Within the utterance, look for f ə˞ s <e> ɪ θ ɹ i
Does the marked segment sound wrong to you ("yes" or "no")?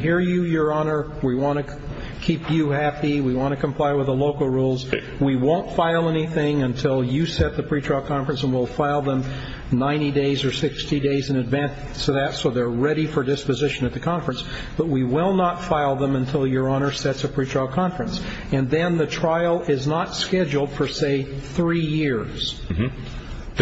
no